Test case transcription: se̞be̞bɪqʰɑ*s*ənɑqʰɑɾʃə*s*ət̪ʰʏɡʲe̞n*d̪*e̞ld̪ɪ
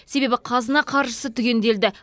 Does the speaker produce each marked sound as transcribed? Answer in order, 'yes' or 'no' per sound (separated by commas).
no, yes, yes